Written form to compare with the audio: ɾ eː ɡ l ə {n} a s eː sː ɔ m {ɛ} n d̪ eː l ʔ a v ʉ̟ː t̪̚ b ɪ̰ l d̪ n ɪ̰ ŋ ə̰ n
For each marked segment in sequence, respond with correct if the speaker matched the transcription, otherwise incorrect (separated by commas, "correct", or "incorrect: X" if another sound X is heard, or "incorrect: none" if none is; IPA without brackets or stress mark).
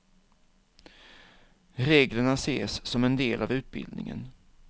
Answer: incorrect: ɳ, correct